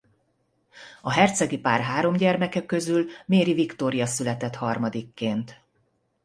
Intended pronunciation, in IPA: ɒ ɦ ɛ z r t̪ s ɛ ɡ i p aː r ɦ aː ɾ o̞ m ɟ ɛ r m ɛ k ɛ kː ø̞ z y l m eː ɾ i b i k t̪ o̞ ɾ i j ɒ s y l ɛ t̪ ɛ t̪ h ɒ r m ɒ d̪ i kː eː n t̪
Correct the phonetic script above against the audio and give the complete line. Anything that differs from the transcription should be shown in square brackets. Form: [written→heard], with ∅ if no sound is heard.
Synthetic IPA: ɒ ɦ ɛ [z→∅] r t̪ s ɛ ɡ i p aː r ɦ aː ɾ o̞ m ɟ ɛ r m ɛ k ɛ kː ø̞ z y l m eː ɾ i [b→v] i k t̪ o̞ ɾ i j ɒ s y l ɛ t̪ ɛ t̪ h ɒ r m ɒ d̪ i kː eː n t̪